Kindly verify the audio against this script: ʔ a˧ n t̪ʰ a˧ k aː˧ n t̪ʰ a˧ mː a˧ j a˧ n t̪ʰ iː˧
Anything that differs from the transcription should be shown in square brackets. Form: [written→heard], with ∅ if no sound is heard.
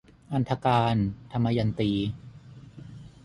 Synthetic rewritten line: ʔ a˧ n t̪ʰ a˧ k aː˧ n t̪ʰ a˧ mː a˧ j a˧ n [t̪ʰ→t̪] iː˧